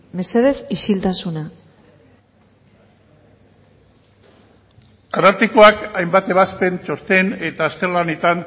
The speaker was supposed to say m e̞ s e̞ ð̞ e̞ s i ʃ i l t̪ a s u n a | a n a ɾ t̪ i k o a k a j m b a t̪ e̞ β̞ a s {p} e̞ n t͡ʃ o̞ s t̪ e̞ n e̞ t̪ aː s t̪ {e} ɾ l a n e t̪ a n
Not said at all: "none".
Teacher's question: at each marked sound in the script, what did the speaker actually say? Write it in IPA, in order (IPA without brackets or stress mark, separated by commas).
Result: p, e